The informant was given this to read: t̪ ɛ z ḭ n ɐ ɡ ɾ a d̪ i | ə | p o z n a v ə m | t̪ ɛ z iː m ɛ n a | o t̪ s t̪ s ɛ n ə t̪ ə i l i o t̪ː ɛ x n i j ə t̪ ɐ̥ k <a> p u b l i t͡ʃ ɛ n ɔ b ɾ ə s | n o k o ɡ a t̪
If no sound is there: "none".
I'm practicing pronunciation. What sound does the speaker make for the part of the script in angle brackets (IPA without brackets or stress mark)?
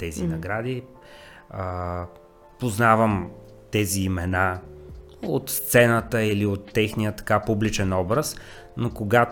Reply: a